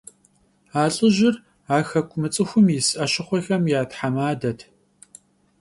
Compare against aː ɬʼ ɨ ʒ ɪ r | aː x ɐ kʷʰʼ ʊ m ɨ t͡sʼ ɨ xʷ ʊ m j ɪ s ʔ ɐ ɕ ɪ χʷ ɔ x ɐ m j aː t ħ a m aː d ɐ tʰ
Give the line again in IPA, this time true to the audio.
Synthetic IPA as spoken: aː ɬʼ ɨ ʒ ɪ r | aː x ɐ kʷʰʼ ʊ m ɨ t͡sʼ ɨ xʷ ʊ m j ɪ s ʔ ɐ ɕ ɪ χʷ ɔ x ɐ m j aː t ħ a m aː d ɐ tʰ